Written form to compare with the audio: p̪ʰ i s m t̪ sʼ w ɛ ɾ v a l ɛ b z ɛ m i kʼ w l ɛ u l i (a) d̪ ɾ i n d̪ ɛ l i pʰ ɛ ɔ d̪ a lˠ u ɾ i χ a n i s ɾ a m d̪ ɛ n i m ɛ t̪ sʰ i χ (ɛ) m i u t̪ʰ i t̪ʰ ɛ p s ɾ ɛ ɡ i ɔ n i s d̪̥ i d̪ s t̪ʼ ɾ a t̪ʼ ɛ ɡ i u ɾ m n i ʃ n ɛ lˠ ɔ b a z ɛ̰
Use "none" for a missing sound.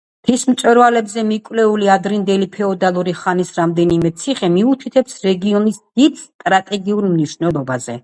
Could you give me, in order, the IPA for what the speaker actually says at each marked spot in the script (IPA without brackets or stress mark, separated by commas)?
a, ɛ